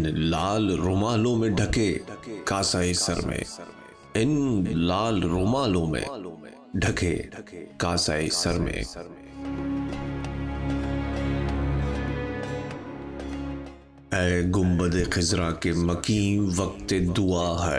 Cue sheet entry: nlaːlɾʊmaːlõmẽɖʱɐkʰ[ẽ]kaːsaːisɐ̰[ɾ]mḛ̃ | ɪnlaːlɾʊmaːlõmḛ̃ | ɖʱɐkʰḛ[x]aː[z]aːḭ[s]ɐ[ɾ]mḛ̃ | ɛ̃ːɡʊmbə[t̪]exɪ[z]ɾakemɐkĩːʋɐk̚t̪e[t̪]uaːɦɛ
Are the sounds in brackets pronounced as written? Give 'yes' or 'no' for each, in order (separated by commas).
no, yes, no, no, yes, yes, no, yes, no